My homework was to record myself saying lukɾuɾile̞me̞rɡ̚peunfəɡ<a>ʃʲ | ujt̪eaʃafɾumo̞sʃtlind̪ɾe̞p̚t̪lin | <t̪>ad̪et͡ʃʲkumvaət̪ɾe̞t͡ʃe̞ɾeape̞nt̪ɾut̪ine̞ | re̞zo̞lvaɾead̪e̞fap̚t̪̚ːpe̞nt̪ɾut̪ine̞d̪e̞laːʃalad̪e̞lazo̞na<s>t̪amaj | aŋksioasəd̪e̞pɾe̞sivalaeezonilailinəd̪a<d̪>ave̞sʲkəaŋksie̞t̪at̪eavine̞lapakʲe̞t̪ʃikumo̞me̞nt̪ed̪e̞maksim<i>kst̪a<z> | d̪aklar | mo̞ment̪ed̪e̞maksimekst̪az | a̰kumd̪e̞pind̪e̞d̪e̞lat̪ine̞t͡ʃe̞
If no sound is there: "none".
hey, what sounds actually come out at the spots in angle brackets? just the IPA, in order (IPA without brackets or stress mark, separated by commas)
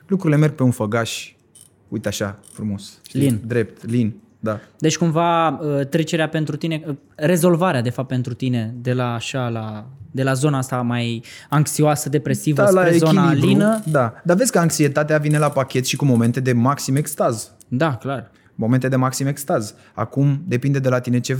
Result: a, d̪, s, d̪, e, z